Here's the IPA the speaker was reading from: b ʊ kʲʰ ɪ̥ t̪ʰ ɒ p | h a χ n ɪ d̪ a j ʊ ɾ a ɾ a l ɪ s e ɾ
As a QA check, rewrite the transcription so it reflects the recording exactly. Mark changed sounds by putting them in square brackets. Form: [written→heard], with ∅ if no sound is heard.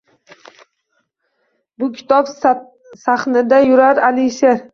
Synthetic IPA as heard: b ʊ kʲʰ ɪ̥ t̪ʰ ɒ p | [h→s] a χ n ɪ d̪ a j ʊ ɾ a ɾ a l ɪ [s→ʃ] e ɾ

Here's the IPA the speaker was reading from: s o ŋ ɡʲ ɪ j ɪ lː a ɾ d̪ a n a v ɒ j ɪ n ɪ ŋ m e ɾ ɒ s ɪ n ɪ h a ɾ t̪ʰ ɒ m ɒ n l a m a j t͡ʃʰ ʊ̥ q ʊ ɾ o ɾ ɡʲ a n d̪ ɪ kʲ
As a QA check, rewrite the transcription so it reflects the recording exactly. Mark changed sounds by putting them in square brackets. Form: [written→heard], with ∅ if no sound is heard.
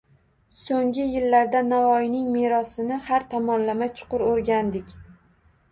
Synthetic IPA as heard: s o ŋ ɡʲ ɪ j ɪ lː a ɾ d̪ a n a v ɒ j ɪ n ɪ ŋ m e ɾ ɒ s ɪ n ɪ h a ɾ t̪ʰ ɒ m ɒ n l a m a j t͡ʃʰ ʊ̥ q ʊ ɾ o ɾ ɡʲ a n d̪ ɪ kʲ

